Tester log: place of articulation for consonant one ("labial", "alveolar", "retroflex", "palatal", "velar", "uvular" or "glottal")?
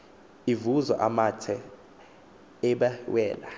labial